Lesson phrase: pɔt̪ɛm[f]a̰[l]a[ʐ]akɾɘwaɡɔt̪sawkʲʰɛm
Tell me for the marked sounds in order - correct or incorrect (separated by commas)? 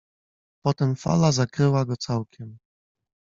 correct, correct, incorrect